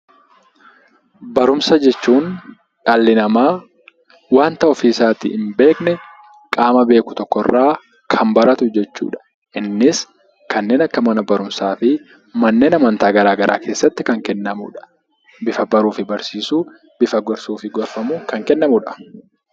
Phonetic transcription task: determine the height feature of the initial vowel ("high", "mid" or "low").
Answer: low